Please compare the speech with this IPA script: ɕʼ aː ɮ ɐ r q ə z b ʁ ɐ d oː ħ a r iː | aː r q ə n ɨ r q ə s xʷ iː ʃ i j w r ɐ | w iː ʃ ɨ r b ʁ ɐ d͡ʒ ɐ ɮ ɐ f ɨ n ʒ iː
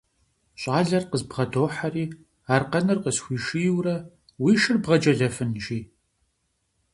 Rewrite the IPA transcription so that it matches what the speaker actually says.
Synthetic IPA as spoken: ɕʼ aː ɮ ɐ r q ə z b ʁ ɐ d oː ħ a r iː | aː r q ɐ n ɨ r q ə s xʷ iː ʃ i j w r ɐ | w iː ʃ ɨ r b ʁ ɐ d͡ʒ ɐ ɮ ɐ f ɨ n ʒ iː

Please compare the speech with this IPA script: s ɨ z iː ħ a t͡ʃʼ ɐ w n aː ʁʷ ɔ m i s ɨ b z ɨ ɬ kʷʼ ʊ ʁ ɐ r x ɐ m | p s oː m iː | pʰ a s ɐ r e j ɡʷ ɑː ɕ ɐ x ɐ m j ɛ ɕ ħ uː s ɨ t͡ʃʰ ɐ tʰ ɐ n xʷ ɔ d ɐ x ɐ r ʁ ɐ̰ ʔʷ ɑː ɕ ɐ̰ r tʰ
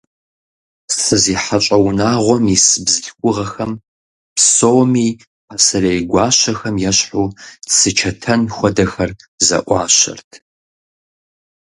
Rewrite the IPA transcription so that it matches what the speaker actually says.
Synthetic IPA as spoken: s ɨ z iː ħ a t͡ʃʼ ɐ w n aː ʁʷ ɔ m i s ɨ b z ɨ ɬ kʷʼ ʊ ʁ ɐ x ɐ m | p s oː m iː | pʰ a s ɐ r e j ɡʷ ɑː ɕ ɐ x ɐ m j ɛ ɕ ħ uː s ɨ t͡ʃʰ ɐ tʰ ɐ n xʷ ɔ d ɐ x ɐ r z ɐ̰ ʔʷ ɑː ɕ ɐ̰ r tʰ

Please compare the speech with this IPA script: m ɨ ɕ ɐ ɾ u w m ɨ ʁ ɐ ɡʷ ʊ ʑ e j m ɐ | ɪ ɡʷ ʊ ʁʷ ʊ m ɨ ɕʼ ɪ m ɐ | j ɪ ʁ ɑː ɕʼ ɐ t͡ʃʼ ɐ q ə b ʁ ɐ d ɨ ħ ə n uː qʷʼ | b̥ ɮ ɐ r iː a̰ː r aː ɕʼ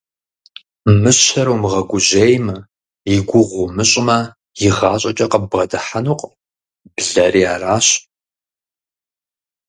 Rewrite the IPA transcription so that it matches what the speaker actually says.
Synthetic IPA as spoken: m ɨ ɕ ɐ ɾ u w m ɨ ʁ ɐ ɡʷ ʊ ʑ e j m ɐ | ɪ ɡʷ ʊ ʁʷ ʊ m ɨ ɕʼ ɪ m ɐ | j ɪ ʁ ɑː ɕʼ ɐ t͡ʃʼ ɐ q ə b ʁ ɐ d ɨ ħ a n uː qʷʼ | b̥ ɮ ɐ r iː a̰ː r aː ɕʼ

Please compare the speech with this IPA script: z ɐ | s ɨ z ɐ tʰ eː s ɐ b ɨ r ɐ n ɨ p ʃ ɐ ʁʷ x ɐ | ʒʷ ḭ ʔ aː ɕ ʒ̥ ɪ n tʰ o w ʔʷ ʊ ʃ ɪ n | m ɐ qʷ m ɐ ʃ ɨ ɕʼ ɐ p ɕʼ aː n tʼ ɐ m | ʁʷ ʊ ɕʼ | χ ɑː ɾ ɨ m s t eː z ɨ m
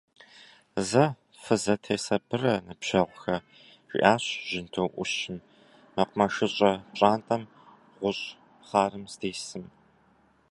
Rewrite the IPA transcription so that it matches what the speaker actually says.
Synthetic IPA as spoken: z ɐ | f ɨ z ɐ tʰ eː s ɐ b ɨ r ɐ n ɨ p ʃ ɐ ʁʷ x ɐ | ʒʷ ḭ ʔ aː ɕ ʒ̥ ɪ n tʰ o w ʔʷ ʊ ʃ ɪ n | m ɐ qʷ m ɐ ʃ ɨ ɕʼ ɐ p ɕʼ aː n tʼ ɐ m | ʁʷ ʊ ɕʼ | χ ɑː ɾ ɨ m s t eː s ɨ m

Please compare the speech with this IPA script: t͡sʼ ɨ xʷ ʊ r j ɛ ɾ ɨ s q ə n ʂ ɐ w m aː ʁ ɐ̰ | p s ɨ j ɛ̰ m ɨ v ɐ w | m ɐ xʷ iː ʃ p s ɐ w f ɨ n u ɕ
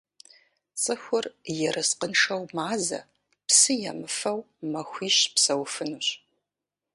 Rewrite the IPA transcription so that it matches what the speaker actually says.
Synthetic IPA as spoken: t͡sʼ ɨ xʷ ʊ r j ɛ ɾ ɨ s q ə n ʂ ɐ w m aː z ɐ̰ | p s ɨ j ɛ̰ m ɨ f ɐ w | m ɐ xʷ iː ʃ p s ɐ w f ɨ n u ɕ

